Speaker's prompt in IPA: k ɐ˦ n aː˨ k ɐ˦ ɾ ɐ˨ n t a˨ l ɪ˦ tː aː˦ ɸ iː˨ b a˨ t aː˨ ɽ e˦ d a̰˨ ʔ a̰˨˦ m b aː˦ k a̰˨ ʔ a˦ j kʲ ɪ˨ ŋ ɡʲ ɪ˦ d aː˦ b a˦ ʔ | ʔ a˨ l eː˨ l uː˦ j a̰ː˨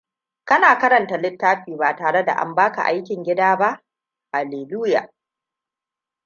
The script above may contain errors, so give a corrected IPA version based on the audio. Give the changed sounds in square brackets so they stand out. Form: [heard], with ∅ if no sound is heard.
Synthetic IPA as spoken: k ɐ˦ n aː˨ k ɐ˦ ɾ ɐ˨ n t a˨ l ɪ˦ tː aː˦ ɸ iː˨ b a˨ t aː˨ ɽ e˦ d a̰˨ ʔ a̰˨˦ m b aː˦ k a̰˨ ʔ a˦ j kʲ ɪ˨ ŋ ɡʲ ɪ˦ d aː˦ b a˦ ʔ | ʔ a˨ l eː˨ l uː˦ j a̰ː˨